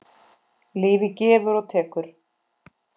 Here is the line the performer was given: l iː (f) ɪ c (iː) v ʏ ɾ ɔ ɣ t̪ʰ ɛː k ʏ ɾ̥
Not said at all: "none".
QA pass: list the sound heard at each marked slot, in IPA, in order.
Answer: v, ɛː

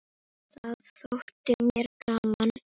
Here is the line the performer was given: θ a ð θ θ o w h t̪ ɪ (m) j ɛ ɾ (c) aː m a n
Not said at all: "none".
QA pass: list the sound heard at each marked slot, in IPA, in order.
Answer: m, k

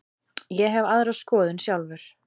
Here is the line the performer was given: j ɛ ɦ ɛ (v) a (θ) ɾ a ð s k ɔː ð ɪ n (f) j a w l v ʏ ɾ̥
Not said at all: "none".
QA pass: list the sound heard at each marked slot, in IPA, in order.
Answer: v, ð, s

